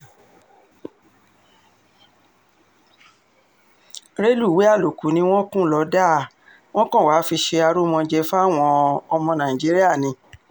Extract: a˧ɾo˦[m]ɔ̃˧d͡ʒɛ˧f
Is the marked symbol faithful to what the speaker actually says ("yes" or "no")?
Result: yes